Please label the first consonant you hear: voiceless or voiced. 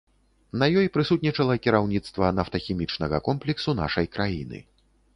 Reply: voiced